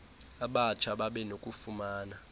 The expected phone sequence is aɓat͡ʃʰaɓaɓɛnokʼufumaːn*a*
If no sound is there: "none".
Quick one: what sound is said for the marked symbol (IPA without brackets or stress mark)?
a